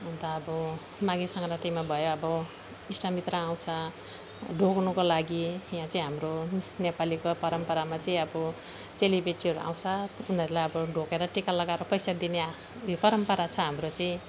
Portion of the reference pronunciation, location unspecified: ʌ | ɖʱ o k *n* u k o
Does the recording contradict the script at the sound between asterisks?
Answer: no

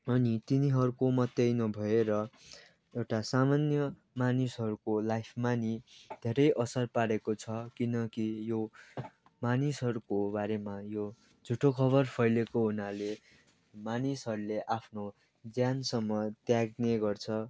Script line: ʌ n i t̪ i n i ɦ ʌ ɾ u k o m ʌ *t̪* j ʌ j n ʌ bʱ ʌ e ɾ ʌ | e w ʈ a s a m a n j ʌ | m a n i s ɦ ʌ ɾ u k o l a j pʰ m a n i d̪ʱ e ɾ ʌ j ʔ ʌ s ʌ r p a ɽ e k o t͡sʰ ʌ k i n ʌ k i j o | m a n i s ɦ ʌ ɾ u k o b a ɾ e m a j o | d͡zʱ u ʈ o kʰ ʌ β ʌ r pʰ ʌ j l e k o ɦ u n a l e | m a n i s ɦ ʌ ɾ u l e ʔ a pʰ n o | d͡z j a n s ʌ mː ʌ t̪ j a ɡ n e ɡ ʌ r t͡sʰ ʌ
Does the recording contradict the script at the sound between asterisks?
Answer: no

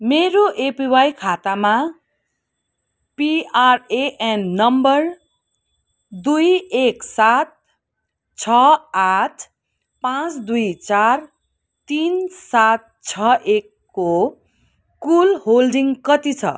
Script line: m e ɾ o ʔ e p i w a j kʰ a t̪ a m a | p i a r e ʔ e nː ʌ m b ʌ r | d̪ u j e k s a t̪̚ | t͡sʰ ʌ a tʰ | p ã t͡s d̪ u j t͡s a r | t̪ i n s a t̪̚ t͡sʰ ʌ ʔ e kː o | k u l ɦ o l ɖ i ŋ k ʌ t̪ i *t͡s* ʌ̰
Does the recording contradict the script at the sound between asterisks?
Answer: yes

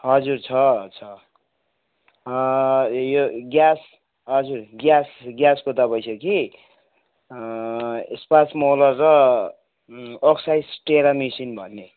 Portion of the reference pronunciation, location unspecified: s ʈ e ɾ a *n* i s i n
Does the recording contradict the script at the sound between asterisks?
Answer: yes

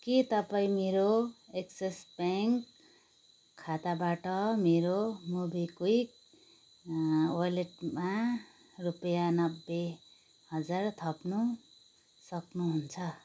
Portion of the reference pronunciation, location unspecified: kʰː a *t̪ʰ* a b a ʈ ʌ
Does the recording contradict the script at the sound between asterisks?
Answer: yes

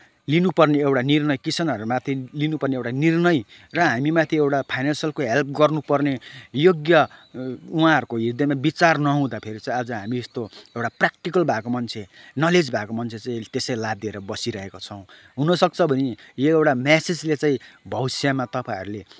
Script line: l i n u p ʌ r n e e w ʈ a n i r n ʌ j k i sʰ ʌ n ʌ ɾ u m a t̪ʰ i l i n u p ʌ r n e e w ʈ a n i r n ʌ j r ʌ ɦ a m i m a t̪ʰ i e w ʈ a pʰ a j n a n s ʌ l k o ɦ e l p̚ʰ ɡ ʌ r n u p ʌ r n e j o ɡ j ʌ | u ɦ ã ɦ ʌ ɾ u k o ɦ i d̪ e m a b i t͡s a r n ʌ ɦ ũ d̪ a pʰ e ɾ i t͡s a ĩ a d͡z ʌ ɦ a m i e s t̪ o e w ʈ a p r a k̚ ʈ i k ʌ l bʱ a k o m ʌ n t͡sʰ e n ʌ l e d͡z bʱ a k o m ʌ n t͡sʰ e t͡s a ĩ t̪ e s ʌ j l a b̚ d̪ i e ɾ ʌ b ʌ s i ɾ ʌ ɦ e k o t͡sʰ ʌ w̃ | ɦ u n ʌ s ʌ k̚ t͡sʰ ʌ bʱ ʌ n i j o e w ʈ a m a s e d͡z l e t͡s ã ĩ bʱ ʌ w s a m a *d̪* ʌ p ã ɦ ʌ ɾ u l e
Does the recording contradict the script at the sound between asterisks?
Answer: yes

